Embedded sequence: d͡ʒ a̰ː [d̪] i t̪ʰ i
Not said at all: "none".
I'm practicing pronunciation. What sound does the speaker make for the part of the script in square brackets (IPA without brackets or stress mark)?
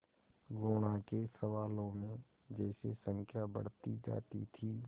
t̪